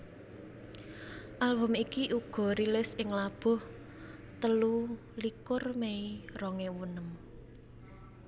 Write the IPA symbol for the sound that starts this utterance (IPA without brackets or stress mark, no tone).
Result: ʔ